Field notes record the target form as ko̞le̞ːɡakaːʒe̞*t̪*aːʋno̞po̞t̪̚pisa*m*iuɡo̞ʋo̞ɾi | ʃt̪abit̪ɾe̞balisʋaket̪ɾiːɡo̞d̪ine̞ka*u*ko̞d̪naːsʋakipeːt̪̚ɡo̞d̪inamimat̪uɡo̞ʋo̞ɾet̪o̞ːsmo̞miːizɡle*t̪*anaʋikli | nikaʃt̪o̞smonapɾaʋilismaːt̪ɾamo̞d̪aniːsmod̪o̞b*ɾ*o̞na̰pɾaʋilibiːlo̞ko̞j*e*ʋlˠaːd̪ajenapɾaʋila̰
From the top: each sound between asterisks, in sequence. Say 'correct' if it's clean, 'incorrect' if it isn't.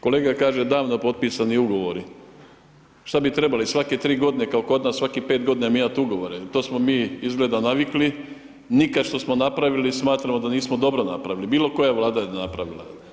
incorrect, incorrect, incorrect, incorrect, correct, incorrect

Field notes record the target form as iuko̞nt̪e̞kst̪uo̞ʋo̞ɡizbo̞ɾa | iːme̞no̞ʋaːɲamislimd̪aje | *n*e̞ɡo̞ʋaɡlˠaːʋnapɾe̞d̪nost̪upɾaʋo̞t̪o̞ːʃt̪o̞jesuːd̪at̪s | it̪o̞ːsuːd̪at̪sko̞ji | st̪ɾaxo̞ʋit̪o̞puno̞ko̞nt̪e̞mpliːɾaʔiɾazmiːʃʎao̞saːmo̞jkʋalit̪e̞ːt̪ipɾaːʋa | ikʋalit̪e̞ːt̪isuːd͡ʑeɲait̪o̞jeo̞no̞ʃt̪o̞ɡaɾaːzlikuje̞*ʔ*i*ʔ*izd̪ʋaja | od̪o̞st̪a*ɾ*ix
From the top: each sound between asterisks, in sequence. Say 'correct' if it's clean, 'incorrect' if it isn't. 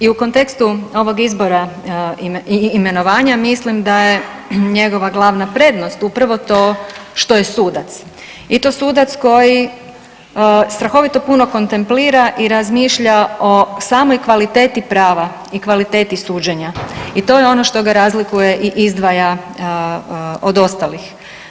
incorrect, correct, correct, incorrect

